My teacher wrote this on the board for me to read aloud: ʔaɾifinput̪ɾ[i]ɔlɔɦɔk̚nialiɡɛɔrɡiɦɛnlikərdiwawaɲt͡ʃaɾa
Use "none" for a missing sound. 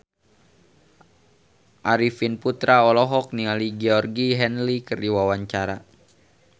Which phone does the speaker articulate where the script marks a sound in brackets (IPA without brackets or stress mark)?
a